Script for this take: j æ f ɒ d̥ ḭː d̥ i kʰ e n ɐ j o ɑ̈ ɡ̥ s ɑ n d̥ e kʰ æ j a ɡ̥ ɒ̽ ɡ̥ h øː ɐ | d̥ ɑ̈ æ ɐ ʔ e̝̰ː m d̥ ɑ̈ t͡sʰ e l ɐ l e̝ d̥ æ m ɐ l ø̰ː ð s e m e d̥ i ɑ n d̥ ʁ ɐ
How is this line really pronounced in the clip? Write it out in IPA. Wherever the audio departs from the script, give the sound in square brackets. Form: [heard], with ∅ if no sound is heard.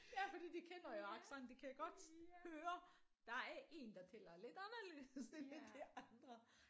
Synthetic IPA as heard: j æ f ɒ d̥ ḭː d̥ i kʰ e n ɐ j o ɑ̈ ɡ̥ s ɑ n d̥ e kʰ æ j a ɡ̥ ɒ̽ [d̥] h øː ɐ | d̥ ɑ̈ æ ɐ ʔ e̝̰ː [n] d̥ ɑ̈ t͡sʰ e l ɐ l e̝ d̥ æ [n] ɐ l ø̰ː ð s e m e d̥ i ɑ n d̥ ʁ ɐ